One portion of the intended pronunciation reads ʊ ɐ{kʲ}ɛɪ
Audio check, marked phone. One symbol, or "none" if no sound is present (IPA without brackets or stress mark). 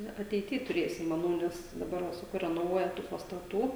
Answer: tʲ